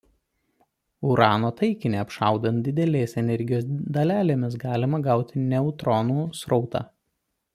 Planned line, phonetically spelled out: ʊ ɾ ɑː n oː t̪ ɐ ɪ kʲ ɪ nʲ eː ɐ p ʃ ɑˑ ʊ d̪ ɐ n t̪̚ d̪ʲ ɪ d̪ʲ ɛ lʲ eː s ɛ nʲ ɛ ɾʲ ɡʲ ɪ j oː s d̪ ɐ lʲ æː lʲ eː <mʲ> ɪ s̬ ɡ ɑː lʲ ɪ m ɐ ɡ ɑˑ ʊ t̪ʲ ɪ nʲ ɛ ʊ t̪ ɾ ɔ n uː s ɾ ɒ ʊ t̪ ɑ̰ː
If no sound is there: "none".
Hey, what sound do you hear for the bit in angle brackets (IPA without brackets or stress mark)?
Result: mʲ